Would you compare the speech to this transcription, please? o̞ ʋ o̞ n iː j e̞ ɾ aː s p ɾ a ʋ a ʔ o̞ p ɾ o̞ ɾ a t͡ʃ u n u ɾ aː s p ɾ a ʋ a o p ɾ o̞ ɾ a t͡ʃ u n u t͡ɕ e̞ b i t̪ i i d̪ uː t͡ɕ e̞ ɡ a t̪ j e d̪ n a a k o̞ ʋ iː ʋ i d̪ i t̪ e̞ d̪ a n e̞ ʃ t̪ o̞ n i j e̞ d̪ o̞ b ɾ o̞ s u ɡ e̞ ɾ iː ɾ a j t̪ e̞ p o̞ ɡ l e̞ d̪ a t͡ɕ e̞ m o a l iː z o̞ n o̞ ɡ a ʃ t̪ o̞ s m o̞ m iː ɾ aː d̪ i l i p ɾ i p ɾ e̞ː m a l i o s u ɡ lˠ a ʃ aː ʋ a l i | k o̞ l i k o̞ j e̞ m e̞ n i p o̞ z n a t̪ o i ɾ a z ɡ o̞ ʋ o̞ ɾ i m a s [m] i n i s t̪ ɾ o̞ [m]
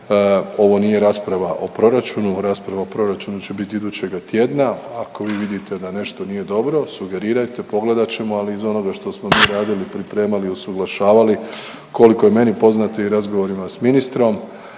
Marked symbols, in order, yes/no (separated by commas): yes, yes